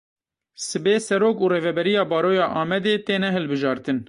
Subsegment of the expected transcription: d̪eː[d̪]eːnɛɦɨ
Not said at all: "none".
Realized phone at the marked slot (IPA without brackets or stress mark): t̪